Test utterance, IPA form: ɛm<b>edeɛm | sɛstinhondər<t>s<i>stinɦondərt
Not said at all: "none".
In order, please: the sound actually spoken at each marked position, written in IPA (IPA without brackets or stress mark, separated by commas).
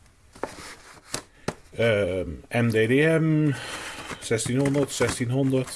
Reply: d, t, ɛ